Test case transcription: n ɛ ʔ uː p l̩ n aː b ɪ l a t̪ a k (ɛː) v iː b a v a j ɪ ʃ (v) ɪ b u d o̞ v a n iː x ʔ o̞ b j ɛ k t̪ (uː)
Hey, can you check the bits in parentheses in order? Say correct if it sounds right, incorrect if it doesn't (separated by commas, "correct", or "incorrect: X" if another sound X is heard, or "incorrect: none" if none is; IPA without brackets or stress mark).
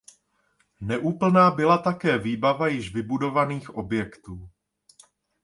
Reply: correct, correct, correct